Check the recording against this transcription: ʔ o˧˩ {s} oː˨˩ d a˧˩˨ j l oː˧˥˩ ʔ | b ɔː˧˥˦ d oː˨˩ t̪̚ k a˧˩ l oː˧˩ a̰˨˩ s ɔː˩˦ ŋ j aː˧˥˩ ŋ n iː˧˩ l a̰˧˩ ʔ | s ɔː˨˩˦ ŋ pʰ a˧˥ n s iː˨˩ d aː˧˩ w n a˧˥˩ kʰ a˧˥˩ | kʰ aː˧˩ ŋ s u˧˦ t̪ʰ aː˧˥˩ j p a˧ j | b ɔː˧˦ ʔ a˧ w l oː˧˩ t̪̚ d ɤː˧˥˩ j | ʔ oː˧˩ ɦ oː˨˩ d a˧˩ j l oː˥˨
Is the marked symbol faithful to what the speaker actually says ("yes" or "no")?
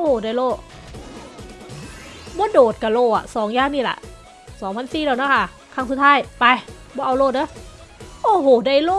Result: no